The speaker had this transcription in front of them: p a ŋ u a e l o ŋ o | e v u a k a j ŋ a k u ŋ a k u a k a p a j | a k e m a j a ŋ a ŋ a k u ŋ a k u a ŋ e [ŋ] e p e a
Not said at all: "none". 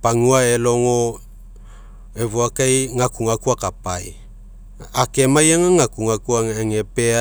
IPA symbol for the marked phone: ŋ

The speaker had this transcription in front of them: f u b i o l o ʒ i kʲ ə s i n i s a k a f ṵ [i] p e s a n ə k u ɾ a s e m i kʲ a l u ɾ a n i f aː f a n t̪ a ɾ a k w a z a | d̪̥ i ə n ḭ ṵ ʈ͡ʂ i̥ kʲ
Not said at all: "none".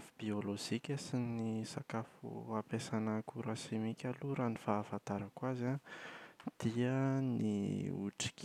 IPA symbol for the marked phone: a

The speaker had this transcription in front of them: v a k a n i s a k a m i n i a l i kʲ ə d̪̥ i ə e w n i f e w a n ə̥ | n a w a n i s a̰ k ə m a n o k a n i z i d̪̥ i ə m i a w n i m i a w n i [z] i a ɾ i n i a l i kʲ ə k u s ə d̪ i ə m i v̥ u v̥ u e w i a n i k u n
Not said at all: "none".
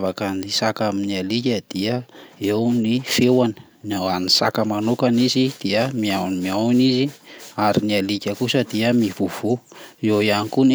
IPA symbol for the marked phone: z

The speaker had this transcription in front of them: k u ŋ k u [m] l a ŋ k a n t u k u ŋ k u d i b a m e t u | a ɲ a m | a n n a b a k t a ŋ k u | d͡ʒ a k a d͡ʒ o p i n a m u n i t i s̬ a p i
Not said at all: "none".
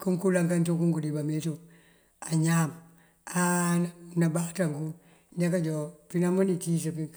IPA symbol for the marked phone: none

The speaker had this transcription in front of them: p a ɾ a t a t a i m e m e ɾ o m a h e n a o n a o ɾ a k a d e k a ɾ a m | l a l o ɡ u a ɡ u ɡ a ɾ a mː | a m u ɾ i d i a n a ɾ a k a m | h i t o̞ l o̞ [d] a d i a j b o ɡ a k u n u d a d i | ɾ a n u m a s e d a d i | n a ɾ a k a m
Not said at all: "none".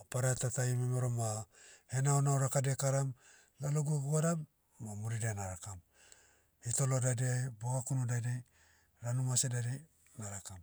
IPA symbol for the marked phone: d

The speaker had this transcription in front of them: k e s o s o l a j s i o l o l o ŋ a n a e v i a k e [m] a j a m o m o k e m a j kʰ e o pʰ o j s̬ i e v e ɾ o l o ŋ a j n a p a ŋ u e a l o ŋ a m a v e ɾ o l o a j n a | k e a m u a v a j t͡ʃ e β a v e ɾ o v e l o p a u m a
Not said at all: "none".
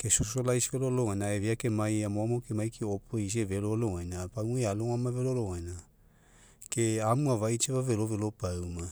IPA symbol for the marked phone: m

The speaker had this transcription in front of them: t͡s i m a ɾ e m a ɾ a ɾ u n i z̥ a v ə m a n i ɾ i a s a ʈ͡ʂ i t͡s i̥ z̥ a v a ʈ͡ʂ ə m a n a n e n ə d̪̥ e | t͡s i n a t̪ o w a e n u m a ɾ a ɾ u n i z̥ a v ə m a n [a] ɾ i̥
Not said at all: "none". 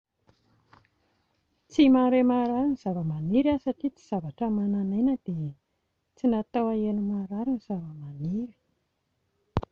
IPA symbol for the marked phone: i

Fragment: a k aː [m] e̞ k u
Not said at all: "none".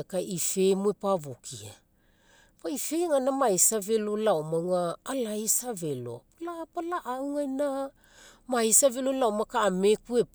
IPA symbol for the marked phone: m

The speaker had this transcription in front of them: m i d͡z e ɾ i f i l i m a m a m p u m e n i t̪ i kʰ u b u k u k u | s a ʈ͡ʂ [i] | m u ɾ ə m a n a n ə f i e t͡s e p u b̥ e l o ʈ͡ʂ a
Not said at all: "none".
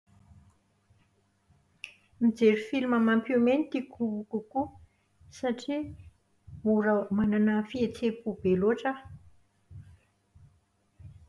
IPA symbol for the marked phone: i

